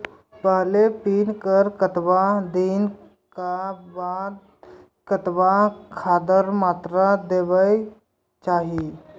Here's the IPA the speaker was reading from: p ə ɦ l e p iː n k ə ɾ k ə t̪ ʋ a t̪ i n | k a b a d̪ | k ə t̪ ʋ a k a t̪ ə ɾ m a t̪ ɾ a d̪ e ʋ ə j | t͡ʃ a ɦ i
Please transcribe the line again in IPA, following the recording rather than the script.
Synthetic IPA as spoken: p ə ɦ l e p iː n k ə ɾ k ə t̪ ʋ a d̪ i n | k a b a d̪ | k ə t̪ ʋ a kʰ a d̪ ə ɾ m a t̪ ɾ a d̪ e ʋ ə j | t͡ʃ a ɦ i